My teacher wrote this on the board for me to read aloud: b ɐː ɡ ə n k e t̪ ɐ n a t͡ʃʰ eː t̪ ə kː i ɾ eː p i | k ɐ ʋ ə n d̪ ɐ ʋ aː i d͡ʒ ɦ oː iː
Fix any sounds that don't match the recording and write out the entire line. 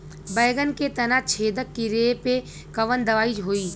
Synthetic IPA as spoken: b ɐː ɡ ə n k e t̪ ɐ n a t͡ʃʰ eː d̪ ə kː i ɾ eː p e | k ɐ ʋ ə n d̪ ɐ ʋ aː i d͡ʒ ɦ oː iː